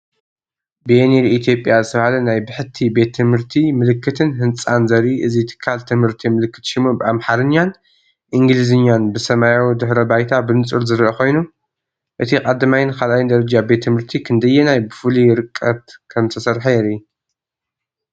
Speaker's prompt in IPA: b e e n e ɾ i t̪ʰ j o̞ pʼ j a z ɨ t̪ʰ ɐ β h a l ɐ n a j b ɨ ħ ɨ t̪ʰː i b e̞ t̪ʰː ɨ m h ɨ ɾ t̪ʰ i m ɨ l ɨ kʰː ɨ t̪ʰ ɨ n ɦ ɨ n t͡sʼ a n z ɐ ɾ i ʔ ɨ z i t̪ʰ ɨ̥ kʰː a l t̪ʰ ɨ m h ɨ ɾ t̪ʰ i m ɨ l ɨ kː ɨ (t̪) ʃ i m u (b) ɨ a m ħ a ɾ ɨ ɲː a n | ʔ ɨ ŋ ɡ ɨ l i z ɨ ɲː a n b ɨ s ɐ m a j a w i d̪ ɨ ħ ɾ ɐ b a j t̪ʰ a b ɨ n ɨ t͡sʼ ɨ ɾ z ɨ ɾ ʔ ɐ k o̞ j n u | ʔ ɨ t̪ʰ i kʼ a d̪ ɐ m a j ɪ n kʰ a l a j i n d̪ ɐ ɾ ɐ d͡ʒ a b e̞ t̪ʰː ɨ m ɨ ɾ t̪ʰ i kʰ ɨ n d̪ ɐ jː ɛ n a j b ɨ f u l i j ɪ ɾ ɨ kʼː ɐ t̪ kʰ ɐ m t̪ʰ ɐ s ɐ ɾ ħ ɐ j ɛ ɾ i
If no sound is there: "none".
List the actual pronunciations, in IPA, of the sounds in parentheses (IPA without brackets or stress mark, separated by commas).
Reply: t̪, b